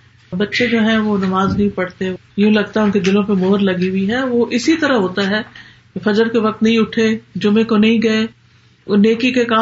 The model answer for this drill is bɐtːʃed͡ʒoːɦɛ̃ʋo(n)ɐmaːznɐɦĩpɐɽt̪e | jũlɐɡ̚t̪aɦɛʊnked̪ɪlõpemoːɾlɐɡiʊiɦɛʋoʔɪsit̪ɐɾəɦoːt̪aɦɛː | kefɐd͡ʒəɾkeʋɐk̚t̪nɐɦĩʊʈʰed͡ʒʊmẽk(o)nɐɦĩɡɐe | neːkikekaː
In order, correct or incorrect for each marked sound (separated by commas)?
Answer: correct, correct